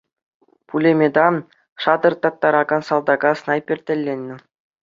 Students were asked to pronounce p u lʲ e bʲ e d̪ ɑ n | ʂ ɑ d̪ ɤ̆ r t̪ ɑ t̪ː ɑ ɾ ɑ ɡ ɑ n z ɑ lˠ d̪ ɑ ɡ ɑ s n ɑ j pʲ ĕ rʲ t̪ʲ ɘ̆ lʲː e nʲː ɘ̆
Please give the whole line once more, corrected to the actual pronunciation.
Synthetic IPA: p u lʲ e mʲ e d̪ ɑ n | ʂ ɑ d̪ ɤ̆ r t̪ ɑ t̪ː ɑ ɾ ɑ ɡ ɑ n s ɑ lˠ d̪ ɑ ɡ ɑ s n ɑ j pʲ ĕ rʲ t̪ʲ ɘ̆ lʲː e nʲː ɘ̆